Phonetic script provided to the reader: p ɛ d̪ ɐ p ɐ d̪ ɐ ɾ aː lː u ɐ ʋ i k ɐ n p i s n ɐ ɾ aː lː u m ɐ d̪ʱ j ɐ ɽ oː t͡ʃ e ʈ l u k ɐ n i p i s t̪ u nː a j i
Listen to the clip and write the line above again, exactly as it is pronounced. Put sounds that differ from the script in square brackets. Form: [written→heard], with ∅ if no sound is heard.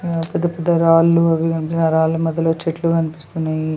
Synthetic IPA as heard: p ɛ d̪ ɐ p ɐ d̪ ɐ ɾ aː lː u ɐ ʋ i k ɐ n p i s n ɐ ɾ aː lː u m ɐ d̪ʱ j ɐ [ɽ→l] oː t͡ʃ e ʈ l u k ɐ n i p i s t̪ u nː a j i